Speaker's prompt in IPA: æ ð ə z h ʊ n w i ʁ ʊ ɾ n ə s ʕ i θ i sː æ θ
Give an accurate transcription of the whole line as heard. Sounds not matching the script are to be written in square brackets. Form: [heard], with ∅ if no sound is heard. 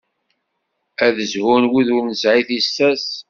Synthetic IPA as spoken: æ ð ə z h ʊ n w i [ð] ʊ ɾ n ə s ʕ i θ i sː æ [s]